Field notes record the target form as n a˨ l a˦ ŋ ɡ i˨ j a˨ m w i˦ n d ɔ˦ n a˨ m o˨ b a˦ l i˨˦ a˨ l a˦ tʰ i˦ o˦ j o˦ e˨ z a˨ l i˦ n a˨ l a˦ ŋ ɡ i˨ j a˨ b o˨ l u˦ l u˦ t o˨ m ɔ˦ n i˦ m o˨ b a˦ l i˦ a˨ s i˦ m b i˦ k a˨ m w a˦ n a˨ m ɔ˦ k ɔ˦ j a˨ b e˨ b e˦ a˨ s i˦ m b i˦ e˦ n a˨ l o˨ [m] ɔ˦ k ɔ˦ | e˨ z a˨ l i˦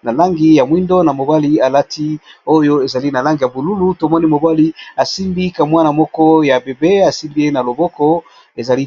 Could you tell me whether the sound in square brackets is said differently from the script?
yes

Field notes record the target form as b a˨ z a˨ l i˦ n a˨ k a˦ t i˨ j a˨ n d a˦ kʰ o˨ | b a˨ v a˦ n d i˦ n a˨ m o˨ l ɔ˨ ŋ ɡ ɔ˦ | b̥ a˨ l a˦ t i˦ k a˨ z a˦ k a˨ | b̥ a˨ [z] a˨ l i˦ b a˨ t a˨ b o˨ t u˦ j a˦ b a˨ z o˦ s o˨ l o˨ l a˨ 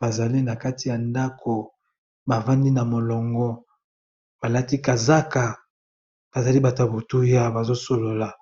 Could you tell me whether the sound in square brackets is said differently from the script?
no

